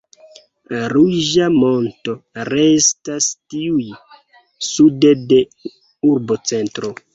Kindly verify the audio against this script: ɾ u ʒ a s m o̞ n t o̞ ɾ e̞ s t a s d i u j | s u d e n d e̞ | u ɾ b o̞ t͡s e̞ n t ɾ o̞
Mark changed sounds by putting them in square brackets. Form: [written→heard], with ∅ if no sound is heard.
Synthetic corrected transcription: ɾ u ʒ a [s→∅] m o̞ n t o̞ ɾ e̞ s t a s [d→t] i u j | s u d e [n→∅] d e̞ | u ɾ b o̞ t͡s e̞ n t ɾ o̞